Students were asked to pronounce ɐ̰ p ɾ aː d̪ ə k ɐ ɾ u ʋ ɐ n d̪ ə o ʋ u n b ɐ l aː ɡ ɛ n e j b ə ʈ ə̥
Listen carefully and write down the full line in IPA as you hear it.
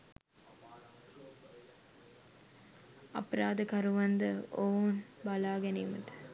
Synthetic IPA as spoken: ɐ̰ p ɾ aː d̪ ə k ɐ ɾ u ʋ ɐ n d̪ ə o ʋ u n b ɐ l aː ɡ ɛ n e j m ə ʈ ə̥